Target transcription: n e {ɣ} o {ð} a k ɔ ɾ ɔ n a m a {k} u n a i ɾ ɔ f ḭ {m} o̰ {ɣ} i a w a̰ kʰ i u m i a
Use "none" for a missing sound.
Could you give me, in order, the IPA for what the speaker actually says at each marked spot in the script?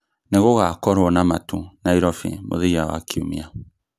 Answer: ɣ, ɣ, t, m, ð

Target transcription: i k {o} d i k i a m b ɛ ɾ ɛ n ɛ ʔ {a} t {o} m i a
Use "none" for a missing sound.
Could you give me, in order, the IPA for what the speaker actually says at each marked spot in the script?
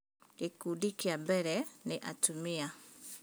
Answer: u, a, u

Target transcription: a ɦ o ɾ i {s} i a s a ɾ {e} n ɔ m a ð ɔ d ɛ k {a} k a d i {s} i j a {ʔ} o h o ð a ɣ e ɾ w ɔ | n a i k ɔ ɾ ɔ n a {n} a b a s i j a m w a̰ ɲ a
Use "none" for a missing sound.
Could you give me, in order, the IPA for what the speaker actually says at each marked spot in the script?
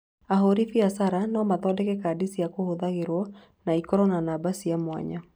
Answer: f, a, ɛ, s, k, n

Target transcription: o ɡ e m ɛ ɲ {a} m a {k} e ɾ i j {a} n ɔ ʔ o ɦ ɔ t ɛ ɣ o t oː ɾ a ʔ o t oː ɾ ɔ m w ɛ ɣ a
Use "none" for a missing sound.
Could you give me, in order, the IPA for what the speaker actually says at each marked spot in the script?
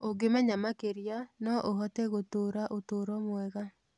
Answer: a, k, a

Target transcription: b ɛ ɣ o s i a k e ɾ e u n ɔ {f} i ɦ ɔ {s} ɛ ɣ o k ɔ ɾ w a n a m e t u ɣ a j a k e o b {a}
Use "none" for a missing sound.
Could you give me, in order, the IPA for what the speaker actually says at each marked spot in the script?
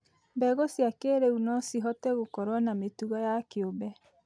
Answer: s, t, ɛ

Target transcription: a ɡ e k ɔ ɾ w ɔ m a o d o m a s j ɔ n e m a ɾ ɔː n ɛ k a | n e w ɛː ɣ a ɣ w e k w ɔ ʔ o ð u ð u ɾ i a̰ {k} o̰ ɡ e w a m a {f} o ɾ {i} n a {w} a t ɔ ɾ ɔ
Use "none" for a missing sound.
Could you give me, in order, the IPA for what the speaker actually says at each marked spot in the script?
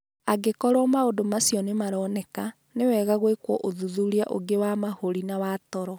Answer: ʔ, h, i, w

